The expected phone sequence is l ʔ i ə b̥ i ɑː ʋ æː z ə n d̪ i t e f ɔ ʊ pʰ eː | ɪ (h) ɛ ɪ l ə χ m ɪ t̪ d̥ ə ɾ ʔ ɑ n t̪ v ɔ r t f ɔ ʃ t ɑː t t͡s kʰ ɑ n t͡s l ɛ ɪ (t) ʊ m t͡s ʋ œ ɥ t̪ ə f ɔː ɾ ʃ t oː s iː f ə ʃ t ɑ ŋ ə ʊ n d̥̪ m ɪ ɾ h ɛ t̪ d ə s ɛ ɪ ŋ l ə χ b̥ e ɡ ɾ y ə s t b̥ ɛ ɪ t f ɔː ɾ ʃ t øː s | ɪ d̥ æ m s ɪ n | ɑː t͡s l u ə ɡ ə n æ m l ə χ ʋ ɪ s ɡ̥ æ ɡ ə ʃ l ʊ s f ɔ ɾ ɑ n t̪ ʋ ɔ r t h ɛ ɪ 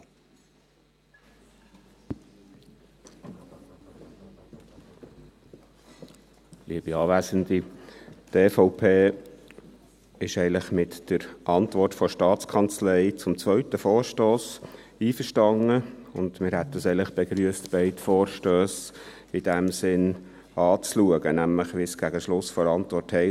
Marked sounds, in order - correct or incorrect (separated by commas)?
incorrect, incorrect